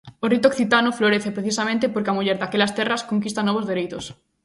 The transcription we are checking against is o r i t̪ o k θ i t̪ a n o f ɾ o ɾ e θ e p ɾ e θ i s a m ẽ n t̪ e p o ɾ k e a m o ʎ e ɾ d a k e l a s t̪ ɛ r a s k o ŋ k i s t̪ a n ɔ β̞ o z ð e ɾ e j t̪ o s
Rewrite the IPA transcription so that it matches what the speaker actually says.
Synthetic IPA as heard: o r i t̪ o k θ i t̪ a n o f l o ɾ e θ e p ɾ e θ i s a m ẽ n t̪ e p o ɾ k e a m u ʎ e ɾ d a k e l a s t̪ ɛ r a s k o ŋ k i s t̪ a n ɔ β̞ o z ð e ɾ e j t̪ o s